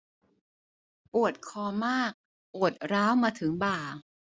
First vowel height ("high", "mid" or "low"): high